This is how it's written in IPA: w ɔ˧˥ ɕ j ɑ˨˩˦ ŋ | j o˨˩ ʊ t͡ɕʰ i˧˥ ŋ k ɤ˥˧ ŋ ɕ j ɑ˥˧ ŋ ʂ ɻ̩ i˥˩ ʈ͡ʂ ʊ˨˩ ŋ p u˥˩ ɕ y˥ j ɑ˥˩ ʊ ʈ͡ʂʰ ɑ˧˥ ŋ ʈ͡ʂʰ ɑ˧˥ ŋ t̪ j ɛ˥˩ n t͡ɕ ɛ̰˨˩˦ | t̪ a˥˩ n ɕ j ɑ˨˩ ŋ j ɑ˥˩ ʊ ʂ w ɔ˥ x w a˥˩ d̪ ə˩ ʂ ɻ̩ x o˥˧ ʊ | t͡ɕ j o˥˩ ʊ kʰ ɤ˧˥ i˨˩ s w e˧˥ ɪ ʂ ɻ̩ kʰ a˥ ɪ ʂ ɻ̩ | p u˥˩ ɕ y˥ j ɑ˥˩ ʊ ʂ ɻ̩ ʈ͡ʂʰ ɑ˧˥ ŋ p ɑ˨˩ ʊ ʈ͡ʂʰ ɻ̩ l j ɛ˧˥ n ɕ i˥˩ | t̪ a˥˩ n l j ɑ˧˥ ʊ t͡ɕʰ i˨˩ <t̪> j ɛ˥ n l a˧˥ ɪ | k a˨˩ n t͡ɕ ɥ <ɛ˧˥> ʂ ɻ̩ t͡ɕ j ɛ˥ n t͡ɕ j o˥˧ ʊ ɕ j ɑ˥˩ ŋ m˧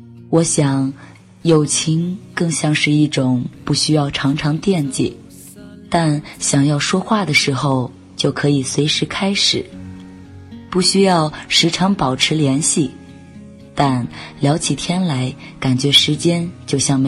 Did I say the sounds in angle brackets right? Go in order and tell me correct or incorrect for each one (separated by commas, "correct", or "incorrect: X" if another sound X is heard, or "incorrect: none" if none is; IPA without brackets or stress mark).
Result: incorrect: t̪ʰ, correct